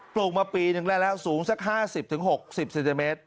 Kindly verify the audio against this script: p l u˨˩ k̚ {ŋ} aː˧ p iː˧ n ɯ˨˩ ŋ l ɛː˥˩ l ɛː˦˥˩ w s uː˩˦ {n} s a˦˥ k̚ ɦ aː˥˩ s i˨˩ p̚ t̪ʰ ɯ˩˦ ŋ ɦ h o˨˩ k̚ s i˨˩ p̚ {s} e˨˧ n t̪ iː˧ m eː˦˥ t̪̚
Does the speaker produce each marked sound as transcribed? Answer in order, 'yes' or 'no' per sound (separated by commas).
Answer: no, no, yes